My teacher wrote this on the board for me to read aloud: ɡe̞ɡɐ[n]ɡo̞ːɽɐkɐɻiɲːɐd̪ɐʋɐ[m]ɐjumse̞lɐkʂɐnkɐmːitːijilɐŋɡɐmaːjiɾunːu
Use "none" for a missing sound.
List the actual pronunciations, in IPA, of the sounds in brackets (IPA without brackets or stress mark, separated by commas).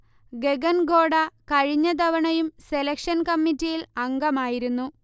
n, ɳ